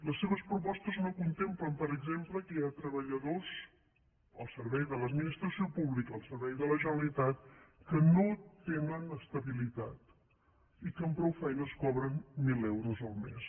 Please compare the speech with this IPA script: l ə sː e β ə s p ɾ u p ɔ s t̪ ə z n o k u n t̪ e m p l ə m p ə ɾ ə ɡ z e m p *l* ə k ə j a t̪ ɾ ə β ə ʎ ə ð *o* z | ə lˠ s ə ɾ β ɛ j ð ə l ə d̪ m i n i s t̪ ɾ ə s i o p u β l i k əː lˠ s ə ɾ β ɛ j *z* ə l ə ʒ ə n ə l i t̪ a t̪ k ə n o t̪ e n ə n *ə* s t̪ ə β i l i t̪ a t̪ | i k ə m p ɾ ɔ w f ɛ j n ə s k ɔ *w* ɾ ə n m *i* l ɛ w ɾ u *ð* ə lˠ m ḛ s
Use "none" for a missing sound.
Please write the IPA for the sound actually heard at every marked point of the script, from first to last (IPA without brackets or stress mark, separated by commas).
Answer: l, o, ð, ə, β, i, z